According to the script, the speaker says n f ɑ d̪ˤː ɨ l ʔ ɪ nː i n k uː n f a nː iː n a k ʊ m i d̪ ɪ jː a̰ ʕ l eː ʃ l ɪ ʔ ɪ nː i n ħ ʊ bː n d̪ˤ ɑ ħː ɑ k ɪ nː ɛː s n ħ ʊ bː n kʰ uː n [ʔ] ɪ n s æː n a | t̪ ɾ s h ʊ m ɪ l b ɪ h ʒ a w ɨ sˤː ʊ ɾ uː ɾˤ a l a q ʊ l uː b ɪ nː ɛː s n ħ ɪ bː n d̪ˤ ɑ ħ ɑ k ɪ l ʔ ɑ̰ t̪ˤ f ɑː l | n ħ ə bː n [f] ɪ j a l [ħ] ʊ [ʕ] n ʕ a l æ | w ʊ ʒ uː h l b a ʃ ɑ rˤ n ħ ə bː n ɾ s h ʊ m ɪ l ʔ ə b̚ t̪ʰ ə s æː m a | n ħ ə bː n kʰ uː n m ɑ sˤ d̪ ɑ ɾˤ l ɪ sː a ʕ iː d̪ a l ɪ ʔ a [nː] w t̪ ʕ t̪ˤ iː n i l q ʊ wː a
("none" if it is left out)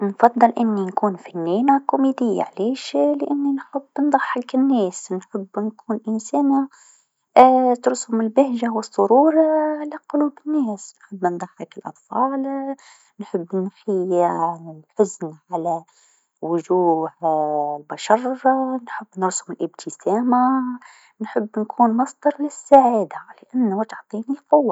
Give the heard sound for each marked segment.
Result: ʔ, x, ħ, z, nː

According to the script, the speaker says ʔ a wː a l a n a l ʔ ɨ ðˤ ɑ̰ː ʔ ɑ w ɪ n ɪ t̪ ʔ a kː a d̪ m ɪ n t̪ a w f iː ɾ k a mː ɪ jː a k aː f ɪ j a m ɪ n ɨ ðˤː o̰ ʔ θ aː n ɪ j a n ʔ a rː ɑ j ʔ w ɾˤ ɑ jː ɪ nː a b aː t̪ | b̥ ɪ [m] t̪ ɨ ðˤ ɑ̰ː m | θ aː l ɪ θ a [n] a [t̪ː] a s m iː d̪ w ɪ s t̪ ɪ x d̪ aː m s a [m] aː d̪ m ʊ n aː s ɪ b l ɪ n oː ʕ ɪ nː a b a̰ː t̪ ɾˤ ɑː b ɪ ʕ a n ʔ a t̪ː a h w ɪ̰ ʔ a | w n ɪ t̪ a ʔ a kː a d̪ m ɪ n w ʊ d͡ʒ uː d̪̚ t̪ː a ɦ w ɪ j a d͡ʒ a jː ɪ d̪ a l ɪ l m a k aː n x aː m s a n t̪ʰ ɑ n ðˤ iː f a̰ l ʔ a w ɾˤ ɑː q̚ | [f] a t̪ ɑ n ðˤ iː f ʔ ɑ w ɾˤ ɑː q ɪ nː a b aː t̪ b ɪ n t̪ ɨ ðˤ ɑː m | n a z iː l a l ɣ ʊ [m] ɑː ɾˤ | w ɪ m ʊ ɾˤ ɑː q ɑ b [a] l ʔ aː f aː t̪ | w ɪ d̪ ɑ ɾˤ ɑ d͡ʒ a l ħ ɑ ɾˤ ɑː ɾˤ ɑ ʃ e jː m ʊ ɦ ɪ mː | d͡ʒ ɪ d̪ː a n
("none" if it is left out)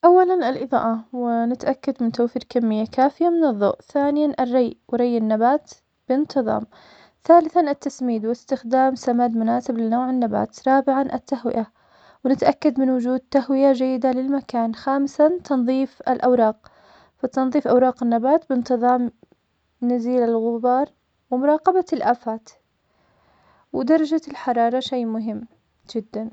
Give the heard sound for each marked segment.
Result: n, n, t̪ː, m, f, b, a

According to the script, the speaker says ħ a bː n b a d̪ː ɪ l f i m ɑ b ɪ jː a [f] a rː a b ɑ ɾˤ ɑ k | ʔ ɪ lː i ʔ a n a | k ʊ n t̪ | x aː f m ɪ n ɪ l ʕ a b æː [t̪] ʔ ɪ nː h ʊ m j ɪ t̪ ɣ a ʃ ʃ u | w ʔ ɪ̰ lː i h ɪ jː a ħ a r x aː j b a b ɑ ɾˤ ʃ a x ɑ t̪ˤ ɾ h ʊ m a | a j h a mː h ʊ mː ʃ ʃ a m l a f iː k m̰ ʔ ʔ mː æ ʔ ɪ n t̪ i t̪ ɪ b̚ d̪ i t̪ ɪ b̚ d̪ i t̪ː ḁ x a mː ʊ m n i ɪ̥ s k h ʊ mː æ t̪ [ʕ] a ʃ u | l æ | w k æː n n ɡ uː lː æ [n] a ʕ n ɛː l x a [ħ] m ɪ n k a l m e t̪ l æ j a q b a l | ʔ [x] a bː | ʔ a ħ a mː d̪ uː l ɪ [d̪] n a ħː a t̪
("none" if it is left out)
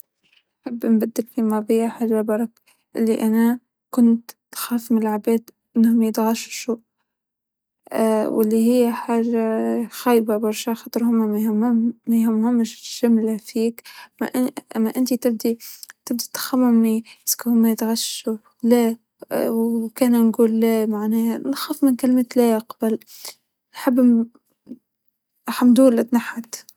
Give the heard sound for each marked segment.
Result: ħ, d̪, ɣ, m, f, ħ, t̪

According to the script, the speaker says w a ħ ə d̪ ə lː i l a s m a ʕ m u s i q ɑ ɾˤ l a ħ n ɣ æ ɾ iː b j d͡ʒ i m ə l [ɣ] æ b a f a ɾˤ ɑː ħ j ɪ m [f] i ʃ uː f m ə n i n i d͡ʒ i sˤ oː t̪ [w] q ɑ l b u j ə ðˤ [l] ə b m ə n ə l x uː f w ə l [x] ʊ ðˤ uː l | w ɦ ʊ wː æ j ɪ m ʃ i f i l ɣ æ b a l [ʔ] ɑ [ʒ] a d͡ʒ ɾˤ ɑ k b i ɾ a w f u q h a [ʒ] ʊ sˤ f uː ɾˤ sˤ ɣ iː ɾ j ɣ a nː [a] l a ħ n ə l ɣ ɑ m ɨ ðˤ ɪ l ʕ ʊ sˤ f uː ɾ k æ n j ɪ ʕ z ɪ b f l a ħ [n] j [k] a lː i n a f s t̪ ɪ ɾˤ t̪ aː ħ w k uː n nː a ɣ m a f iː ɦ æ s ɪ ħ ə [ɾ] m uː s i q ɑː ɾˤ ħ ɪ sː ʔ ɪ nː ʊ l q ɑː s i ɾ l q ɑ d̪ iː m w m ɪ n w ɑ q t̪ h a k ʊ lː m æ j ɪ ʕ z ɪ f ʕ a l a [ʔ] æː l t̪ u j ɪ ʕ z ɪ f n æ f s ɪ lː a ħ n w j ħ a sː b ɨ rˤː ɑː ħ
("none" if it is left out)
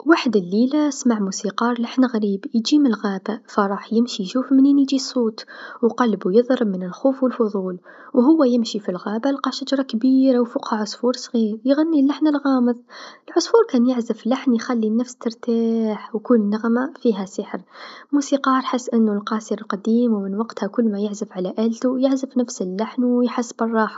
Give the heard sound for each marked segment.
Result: ɣ, ʃ, w, ɾ, f, q, ʃ, ʕ, i, n, x, ɾ, ʔ

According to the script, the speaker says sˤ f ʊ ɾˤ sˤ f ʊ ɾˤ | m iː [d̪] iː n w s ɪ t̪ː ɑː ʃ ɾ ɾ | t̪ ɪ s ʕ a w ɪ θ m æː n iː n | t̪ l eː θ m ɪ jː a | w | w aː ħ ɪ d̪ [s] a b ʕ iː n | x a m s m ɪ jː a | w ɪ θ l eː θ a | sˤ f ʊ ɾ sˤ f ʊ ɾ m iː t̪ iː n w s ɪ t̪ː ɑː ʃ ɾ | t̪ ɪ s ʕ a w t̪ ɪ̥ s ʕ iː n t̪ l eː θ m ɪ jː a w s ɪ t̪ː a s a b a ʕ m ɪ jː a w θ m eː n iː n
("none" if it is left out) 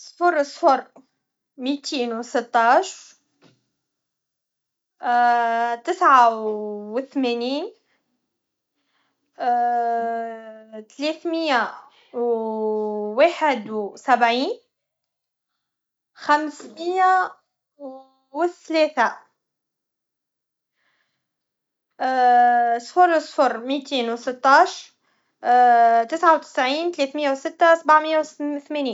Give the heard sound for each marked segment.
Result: t̪, s

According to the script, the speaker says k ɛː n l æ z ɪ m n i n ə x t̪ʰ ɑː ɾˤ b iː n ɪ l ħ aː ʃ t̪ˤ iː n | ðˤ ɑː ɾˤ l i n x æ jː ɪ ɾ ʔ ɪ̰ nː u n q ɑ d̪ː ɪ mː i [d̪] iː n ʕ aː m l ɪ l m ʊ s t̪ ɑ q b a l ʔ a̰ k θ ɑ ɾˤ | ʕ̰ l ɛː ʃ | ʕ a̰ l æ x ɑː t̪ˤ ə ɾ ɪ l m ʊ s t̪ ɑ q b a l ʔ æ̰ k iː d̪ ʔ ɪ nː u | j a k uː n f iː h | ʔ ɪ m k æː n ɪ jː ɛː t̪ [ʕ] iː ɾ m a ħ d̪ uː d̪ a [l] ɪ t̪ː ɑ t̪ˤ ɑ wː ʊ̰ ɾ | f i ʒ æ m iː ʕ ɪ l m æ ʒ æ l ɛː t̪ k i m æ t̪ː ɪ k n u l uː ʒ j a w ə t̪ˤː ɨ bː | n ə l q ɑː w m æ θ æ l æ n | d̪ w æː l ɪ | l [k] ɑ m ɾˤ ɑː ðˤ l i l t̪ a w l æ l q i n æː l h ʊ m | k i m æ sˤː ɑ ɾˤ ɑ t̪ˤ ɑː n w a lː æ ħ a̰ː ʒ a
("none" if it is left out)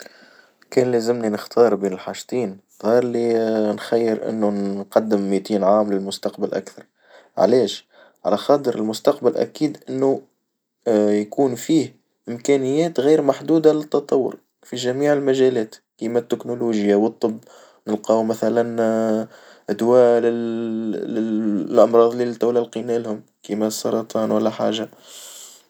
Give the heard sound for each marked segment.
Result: t̪, ɣ, l, ʔ

